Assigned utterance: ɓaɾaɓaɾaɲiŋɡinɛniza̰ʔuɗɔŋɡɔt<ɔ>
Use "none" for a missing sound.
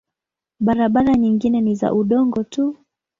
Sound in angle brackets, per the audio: u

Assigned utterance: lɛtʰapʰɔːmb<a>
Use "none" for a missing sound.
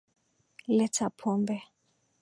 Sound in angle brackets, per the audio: ɛ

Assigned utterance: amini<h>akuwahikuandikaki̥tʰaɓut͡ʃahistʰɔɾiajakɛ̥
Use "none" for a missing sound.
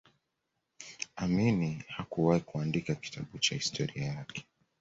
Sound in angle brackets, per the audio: h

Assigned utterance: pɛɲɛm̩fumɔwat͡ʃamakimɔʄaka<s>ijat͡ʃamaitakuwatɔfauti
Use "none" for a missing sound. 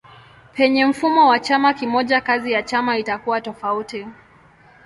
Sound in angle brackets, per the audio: z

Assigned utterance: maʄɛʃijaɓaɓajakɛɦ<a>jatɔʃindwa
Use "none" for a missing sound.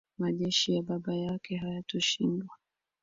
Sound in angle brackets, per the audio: a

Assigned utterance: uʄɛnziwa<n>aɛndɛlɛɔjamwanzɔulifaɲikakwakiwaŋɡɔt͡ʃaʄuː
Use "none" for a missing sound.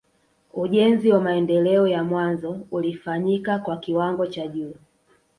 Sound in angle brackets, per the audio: m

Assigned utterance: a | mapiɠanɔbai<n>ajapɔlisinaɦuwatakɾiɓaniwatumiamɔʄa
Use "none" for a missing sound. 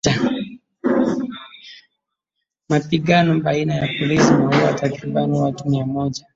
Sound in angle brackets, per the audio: n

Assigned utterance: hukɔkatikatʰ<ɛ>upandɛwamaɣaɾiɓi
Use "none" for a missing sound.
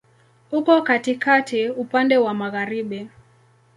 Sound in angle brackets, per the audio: i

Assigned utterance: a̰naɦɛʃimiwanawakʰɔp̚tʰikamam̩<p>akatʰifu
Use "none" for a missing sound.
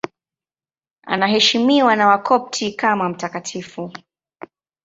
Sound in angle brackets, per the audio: t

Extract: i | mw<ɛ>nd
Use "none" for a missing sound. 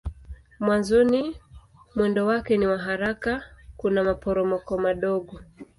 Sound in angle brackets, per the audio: ɛ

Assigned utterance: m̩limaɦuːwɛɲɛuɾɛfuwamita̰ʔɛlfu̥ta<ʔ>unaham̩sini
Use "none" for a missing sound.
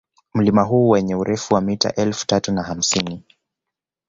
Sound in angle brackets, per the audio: t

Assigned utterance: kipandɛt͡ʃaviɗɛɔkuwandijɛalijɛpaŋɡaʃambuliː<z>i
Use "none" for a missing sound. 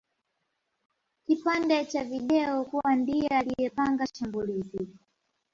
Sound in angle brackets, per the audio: z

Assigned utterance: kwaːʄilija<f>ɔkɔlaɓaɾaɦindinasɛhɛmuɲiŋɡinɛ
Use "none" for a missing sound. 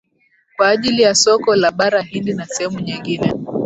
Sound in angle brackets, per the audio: s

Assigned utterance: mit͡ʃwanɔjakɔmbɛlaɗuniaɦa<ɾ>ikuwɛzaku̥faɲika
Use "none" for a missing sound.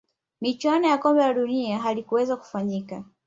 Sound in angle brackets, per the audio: l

